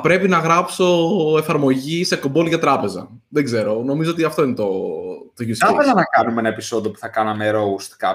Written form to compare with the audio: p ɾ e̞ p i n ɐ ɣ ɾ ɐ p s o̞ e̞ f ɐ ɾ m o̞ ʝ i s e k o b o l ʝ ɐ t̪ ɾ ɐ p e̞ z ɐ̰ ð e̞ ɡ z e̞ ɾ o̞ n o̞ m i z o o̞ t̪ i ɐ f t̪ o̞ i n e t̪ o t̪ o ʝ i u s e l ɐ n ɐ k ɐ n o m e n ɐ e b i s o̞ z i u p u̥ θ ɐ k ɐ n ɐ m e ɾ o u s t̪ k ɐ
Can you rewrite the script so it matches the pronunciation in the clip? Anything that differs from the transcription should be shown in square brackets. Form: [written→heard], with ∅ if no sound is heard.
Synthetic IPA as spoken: p ɾ e̞ p i n ɐ ɣ ɾ ɐ p s o̞ e̞ f ɐ ɾ m o̞ ʝ i s e k o b o l ʝ ɐ t̪ ɾ ɐ p e̞ z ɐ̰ ð e̞ ɡ z e̞ ɾ o̞ n o̞ m i z o o̞ t̪ i ɐ f t̪ o̞ i n e t̪ o t̪ o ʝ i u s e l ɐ n ɐ k ɐ n [o→u] m e n ɐ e [b→p] i s o̞ [z→ð] i [u→o] p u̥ θ ɐ k ɐ n ɐ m e ɾ o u s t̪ k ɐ